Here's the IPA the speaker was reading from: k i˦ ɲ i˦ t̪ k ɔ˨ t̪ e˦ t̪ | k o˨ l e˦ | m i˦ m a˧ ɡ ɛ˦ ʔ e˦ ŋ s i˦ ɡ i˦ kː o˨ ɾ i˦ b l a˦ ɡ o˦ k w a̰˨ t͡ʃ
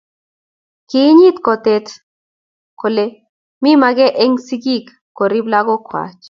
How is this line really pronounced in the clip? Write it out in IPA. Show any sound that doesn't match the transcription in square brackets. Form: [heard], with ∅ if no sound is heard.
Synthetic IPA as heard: k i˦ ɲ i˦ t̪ k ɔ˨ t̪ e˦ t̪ | k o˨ l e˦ | m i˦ m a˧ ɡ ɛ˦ ʔ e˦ ŋ s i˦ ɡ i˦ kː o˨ ɾ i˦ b l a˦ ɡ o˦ k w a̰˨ t͡ʃ